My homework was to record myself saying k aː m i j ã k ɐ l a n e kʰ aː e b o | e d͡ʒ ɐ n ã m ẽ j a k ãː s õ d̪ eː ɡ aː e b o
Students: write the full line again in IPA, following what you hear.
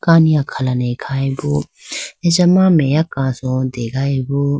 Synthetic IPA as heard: k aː n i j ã kʰ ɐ l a n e kʰ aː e b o | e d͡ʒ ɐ m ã m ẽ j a k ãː s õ d̪ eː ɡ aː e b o